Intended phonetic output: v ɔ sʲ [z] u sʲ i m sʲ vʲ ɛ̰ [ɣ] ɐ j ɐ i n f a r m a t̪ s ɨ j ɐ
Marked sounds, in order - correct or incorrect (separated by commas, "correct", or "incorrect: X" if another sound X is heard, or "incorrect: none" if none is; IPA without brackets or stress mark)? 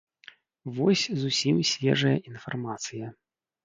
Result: correct, incorrect: ʐ